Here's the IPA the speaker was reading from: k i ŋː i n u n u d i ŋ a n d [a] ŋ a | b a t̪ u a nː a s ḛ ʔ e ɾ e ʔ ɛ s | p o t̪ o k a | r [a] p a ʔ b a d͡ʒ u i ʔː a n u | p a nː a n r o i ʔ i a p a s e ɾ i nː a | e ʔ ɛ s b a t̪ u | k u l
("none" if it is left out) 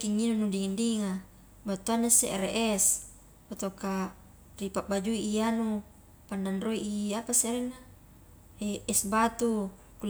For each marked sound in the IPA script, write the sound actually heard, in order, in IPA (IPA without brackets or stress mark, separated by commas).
i, i